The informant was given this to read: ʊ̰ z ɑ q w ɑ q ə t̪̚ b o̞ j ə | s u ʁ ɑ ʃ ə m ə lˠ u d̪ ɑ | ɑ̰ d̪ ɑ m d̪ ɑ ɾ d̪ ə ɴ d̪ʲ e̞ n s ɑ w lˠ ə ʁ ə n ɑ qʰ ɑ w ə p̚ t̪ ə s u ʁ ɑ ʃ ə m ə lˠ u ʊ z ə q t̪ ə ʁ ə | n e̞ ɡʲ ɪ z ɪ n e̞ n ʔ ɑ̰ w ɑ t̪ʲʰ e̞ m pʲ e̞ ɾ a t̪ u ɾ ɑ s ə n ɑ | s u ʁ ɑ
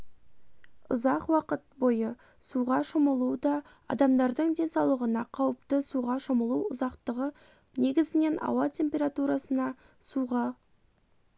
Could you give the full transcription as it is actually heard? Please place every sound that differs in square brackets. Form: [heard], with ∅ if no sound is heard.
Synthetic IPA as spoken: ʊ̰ z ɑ q w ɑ q ə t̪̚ b o̞ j ə | s u ʁ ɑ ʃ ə m ə lˠ u d̪ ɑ | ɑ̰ d̪ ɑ m d̪ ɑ ɾ d̪ ə ɴ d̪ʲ e̞ n s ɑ w lˠ ə ʁ ə n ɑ qʰ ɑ w ə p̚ t̪ ə s u ʁ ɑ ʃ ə m ə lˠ u ʊ z [ɑ] q t̪ ə ʁ ə | n e̞ ɡʲ ɪ z ɪ n e̞ n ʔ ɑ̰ w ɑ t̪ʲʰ e̞ m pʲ e̞ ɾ a t̪ u ɾ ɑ s ə n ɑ | s u ʁ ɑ

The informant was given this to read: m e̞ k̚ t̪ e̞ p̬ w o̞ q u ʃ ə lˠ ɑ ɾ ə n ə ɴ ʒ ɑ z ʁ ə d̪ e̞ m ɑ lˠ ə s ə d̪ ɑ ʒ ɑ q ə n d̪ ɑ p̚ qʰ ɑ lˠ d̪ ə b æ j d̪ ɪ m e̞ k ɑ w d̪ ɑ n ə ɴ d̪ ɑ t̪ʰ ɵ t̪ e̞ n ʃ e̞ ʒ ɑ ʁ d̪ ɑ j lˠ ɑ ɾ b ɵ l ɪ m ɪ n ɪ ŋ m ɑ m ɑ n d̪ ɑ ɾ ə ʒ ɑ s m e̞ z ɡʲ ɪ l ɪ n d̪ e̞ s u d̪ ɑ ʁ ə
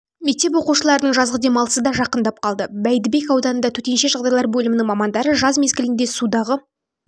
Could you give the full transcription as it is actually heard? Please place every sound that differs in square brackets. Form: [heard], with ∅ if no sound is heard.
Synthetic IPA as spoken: m e̞ k̚ t̪ e̞ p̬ w o̞ q u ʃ ə lˠ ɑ ɾ ə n ə ɴ ʒ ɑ z ʁ ə d̪ e̞ m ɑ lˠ ə s ə d̪ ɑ ʒ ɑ q ə n d̪ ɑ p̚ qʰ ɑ lˠ d̪ ə b æ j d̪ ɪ [b] e̞ k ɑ w d̪ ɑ n ə [n] d̪ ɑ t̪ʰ ɵ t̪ e̞ n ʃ e̞ ʒ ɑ ʁ d̪ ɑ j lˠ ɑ ɾ b ɵ l ɪ m ɪ n ɪ ŋ m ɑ m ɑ n d̪ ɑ ɾ ə ʒ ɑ [z] m e̞ z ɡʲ ɪ l ɪ n d̪ e̞ s u d̪ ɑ ʁ ə

